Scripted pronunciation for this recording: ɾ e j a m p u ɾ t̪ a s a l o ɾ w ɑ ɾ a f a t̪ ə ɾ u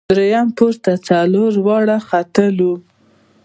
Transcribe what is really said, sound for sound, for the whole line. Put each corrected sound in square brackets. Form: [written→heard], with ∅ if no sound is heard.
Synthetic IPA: ɾ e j a m p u ɾ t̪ a [s→t͡s] a l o ɾ w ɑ [ɾ→ɽ] a [f→x] a t̪ ə [ɾ→l] u